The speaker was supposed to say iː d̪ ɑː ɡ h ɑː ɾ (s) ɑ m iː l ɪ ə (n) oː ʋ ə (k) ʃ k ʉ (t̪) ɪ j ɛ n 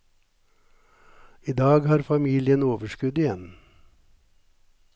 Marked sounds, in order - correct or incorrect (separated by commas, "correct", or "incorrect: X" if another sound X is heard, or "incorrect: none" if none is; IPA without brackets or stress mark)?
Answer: incorrect: f, correct, incorrect: none, incorrect: d̪